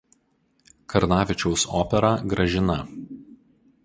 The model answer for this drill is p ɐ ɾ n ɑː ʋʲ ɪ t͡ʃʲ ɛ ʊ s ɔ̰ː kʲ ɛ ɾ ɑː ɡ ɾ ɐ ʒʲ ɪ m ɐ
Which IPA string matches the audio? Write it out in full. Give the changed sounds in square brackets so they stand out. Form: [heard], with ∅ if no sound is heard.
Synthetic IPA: [k] ɐ ɾ n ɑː ʋʲ ɪ t͡ʃʲ ɛ ʊ s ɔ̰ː [pʲ] ɛ ɾ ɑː ɡ ɾ ɐ ʒʲ ɪ [n] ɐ

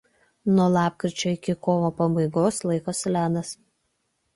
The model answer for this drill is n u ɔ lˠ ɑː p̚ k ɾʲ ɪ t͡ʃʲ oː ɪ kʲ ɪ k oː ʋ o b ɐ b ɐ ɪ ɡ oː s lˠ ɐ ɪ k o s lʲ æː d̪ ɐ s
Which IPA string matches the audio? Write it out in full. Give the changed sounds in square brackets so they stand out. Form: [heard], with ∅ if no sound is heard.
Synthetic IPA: n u ɔ lˠ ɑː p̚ k ɾʲ ɪ t͡ʃʲ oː ɪ kʲ ɪ k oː ʋ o [p] ɐ b ɐ ɪ ɡ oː s lˠ ɐ ɪ k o s lʲ æː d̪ ɐ s

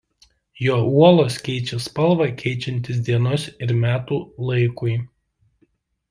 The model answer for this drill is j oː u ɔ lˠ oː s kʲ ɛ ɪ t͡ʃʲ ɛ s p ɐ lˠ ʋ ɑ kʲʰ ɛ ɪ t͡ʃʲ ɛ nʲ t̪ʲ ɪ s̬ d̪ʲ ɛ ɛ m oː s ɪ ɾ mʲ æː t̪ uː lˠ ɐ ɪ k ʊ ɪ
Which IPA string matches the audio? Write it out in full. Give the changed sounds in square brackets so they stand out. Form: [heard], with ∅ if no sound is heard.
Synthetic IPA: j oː u ɔ lˠ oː s kʲ ɛ ɪ t͡ʃʲ ɛ s p ɐ lˠ ʋ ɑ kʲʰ ɛ ɪ t͡ʃʲ ɛ nʲ t̪ʲ ɪ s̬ d̪ʲ [i] ɛ [n] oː s ɪ ɾ mʲ æː t̪ uː lˠ ɐ ɪ k ʊ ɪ

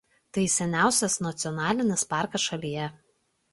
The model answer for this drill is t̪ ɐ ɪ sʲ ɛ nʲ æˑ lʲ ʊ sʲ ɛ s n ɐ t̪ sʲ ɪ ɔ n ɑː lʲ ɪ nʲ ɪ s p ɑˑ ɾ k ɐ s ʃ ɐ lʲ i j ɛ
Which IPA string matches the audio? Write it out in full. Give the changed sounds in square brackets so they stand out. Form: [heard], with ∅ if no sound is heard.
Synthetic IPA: t̪ ɐ ɪ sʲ ɛ nʲ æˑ [∅] ʊ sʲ ɛ s n ɐ t̪ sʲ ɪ ɔ n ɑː lʲ ɪ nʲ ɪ s p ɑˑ ɾ k ɐ s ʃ ɐ lʲ i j ɛ

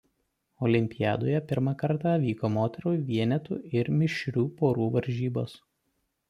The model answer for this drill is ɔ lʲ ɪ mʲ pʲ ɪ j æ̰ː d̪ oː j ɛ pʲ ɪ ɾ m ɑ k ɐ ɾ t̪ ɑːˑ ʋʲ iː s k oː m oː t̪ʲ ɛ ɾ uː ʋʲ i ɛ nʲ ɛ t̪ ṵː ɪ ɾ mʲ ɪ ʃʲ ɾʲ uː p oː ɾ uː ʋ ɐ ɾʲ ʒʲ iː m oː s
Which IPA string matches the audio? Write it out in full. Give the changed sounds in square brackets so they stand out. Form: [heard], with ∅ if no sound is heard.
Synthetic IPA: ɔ lʲ ɪ mʲ pʲ ɪ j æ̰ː d̪ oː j ɛ pʲ ɪ ɾ m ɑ k ɐ ɾ t̪ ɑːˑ ʋʲ iː [∅] k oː m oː t̪ʲ ɛ ɾ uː ʋʲ i ɛ nʲ ɛ t̪ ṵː ɪ ɾ mʲ ɪ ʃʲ ɾʲ uː p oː ɾ uː ʋ ɐ ɾʲ ʒʲ iː [b] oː s

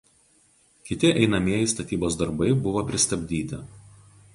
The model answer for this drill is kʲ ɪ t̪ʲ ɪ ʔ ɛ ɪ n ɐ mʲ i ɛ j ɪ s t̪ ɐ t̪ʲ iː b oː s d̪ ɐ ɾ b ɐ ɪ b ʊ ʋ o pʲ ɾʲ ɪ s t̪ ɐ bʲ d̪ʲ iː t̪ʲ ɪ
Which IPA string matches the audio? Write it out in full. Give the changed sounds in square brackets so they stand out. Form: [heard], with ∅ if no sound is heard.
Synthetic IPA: kʲ ɪ t̪ʲ ɪ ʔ ɛ ɪ n ɐ mʲ i ɛ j ɪ s t̪ ɐ t̪ʲ iː b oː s d̪ ɐ ɾ b ɐ ɪ b ʊ ʋ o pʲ ɾʲ ɪ s t̪ ɐ bʲ d̪ʲ iː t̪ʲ ɪ

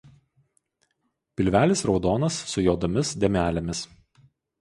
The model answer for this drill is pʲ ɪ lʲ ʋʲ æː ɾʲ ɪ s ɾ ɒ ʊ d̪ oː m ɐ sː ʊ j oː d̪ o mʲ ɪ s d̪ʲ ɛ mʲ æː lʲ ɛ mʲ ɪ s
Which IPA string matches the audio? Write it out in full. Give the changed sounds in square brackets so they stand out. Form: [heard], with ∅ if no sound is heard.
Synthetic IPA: pʲ ɪ lʲ ʋʲ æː [lʲ] ɪ s ɾ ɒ ʊ d̪ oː [n] ɐ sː ʊ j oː d̪ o mʲ ɪ s d̪ʲ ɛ mʲ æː lʲ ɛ mʲ ɪ s

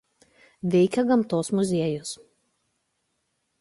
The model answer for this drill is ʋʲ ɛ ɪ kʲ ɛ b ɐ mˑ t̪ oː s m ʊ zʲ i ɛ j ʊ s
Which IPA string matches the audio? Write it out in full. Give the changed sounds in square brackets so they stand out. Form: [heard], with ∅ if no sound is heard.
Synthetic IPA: ʋʲ ɛ ɪ kʲ ɛ [ɡ] ɐ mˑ t̪ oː s m ʊ zʲ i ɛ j ʊ s

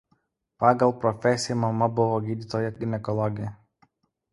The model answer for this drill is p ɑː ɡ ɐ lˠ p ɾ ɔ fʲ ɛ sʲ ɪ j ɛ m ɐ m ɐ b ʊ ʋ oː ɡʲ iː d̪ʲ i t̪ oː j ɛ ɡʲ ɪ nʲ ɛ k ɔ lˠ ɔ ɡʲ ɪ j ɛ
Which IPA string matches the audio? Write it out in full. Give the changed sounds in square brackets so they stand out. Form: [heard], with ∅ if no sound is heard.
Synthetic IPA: p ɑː ɡ ɐ lˠ p ɾ ɔ fʲ ɛ sʲ ɪ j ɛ m ɐ m ɐ b ʊ ʋ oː ɡʲ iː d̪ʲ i t̪ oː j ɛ ɡʲ ɪ nʲ ɛ k ɔ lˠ ɔ ɡʲ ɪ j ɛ

